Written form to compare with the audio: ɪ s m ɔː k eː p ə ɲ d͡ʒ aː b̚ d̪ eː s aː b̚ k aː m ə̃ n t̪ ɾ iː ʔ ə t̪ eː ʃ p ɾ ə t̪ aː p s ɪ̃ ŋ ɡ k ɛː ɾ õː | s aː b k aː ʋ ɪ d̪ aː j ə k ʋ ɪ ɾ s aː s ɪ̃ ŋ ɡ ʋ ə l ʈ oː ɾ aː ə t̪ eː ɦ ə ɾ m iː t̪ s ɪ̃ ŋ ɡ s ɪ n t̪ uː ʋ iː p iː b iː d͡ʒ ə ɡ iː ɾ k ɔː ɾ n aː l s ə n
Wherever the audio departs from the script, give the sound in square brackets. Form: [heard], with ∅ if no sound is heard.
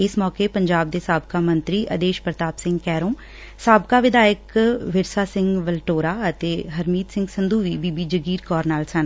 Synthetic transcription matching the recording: ɪ s m ɔː k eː p ə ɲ d͡ʒ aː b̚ d̪ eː s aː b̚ k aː m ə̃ n t̪ ɾ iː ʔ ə [d̪] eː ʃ p ɾ ə t̪ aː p s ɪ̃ ŋ ɡ k ɛː ɾ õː | s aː b k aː ʋ ɪ d̪ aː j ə k ʋ ɪ ɾ s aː s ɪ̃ ŋ ɡ ʋ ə l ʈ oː ɾ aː ə t̪ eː ɦ ə ɾ m iː t̪ s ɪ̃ ŋ ɡ s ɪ n [d̪] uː ʋ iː [b] iː b iː d͡ʒ ə ɡ iː ɾ k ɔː ɾ n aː l s ə n